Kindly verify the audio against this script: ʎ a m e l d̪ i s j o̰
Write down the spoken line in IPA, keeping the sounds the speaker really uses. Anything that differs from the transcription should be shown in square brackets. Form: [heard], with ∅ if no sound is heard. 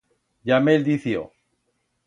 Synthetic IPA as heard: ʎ a m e l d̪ i [θ] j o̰

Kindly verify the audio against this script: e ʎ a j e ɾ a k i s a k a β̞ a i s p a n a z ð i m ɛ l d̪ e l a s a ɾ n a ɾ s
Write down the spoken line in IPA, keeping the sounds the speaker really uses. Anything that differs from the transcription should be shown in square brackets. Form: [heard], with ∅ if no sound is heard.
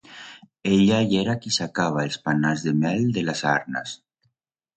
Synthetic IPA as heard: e ʎ a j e ɾ a k i s a k a β̞ a [e] s p a n a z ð [e] m ɛ l d̪ e l a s a ɾ n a [∅] s

